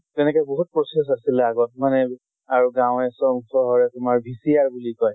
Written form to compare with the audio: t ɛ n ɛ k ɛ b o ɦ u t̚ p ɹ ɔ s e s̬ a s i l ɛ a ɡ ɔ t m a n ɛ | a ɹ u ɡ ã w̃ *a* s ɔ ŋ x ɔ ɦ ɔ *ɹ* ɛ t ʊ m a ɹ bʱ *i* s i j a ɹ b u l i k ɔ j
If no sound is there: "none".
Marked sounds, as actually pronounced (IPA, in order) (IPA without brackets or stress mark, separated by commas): ɛ, ɹ, i